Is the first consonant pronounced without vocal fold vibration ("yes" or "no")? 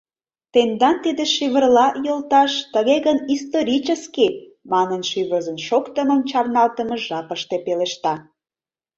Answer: yes